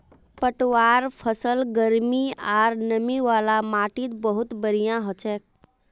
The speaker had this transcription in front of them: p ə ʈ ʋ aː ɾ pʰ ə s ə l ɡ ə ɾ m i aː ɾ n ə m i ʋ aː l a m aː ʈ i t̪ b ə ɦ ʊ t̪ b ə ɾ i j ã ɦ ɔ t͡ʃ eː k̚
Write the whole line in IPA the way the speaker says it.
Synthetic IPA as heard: p ə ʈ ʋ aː ɾ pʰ ə s ə l ɡ ə ɾ m i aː ɾ n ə m i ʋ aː l a m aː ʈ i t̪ b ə ɦ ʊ t̪ b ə ɾ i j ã ɦ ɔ t͡ʃ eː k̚